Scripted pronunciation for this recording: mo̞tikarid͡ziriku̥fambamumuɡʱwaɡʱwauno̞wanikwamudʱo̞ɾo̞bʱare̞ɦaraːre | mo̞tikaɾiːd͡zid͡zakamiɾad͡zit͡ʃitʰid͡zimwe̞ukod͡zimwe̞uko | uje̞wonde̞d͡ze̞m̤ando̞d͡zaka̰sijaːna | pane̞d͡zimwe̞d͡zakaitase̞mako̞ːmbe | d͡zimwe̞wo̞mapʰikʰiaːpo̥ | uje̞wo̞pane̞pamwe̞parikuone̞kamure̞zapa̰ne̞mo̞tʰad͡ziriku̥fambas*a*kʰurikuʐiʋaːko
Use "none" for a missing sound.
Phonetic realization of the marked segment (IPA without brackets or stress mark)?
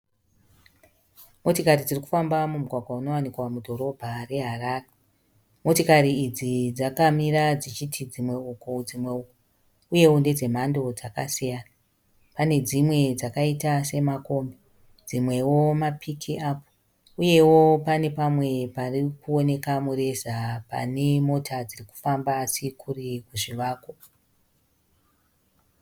i